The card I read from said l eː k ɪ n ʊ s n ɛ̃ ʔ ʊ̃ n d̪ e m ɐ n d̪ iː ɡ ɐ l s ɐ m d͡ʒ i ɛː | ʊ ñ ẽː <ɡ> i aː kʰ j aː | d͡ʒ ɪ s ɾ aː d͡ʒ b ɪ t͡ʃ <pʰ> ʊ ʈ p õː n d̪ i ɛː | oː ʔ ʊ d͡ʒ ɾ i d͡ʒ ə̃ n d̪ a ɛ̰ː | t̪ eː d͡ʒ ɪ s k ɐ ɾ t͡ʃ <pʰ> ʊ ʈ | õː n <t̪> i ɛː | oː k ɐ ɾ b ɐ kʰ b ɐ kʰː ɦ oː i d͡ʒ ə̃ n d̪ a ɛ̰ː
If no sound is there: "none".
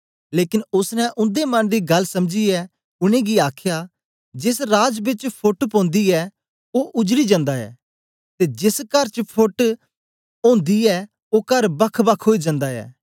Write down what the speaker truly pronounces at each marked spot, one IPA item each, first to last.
ɡ, pʰ, pʰ, d̪

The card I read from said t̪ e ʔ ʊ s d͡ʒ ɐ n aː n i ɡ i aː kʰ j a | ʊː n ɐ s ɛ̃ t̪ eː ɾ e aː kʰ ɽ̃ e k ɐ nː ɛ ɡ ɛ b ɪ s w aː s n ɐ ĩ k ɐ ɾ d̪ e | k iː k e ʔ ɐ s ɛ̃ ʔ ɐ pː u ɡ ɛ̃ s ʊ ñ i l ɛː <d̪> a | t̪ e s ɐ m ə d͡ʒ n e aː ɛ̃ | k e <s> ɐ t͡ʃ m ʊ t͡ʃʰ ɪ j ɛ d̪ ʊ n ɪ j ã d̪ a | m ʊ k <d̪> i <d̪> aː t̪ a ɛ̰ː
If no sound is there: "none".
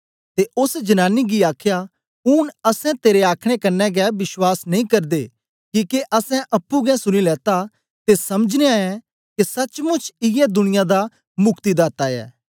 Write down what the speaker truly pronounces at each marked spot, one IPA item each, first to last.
t̪, s, t̪, d̪

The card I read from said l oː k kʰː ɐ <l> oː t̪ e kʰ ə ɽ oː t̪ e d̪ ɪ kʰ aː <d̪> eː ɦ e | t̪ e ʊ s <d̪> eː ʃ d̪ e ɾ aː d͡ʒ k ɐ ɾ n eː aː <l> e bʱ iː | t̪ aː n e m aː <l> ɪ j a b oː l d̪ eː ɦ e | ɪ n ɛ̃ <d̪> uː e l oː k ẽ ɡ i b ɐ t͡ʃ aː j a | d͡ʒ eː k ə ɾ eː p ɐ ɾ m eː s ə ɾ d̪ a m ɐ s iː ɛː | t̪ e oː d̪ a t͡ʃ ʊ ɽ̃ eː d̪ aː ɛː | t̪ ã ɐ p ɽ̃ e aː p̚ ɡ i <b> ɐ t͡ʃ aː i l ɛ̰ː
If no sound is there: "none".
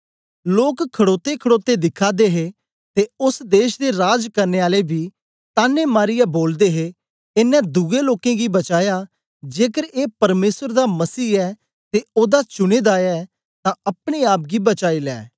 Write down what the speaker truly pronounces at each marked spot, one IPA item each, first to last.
ɽ, d̪, d̪, l, ɾ, d̪, b

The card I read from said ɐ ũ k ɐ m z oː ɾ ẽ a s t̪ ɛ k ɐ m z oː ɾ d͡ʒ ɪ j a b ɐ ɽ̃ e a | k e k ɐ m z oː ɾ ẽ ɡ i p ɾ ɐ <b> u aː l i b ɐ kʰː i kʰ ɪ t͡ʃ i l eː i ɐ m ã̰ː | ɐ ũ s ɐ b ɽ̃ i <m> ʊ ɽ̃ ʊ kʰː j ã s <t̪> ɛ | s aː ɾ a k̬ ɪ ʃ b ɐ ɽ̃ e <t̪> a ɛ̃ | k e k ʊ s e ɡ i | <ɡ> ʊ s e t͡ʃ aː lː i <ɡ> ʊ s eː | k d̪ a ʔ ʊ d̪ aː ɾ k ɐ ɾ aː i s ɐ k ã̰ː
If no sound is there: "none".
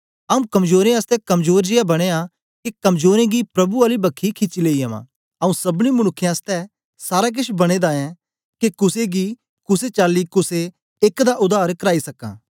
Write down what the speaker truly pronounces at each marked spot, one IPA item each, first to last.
b, m, t̪, d̪, k, k

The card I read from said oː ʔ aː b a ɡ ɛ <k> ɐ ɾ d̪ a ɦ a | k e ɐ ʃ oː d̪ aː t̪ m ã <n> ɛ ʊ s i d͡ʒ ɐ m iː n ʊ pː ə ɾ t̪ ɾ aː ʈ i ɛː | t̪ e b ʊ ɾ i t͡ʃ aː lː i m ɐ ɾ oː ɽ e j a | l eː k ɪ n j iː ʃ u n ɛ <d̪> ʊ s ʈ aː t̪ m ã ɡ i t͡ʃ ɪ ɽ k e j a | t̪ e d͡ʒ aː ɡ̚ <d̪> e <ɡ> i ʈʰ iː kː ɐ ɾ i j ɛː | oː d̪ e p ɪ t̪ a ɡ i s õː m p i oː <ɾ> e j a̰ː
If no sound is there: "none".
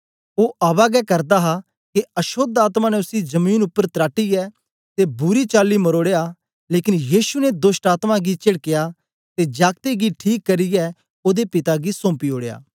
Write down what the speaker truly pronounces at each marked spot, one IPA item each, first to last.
k, n, d̪, t̪, ɡ, ɽ

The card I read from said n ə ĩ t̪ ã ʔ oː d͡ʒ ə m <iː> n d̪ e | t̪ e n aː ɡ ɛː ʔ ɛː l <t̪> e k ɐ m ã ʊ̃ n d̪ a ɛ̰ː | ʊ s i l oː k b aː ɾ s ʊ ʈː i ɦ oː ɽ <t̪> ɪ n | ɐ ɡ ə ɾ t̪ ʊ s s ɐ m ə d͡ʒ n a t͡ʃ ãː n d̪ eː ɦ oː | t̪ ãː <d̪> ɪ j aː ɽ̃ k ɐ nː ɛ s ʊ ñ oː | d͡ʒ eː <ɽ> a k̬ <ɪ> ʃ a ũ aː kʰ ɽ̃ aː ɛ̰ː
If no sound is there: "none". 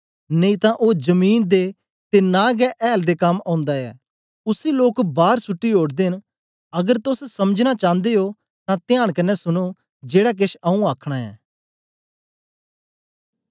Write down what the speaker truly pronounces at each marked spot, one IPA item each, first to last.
iː, d̪, d̪, t̪, ɽ, ɪ

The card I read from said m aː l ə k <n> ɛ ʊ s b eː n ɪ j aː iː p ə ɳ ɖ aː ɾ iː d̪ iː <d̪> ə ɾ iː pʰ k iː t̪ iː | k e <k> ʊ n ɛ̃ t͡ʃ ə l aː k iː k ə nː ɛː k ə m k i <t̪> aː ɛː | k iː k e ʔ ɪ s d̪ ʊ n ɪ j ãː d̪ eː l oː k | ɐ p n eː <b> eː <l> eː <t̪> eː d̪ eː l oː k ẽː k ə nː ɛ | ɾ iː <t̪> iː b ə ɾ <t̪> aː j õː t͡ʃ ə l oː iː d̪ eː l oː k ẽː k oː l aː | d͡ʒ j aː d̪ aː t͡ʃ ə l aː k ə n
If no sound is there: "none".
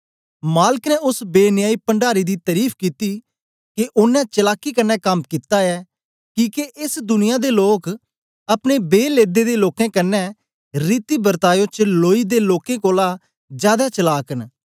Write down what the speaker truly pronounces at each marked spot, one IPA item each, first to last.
n, t̪, ʔ, t̪, b, l, d̪, t̪, t̪

